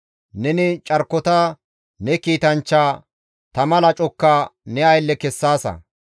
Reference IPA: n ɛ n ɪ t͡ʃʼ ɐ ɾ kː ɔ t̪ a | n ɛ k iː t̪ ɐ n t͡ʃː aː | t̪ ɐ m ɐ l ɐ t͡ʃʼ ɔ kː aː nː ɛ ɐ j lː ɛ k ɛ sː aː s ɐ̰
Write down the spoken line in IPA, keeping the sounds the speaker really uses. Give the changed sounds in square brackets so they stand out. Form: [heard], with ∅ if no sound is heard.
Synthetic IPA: n ɛ n ɪ t͡ʃʼ ɐ ɾ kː ɔ t̪ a | n ɛ k iː t̪ ɐ n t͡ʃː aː | t̪ ɐ m ɐ l ɐ t͡ʃʼ ɔ kː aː [n] ɛ ɐ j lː ɛ k ɛ sː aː s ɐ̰